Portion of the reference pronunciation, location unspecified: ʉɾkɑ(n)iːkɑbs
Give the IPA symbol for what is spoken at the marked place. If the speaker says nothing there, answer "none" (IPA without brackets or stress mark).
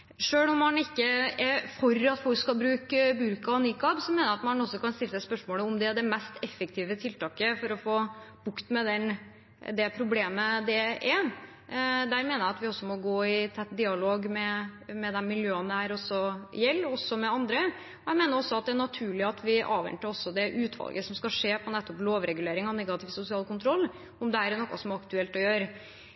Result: n